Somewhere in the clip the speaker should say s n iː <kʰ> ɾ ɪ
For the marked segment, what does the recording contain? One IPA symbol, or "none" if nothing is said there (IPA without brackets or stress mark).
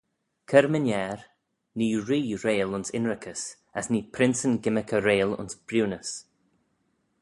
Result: pʰ